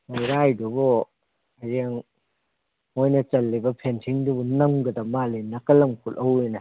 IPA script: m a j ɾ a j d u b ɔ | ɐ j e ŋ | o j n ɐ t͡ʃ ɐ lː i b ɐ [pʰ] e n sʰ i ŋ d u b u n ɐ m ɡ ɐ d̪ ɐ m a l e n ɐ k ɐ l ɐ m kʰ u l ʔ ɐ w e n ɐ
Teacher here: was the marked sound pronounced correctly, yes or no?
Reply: yes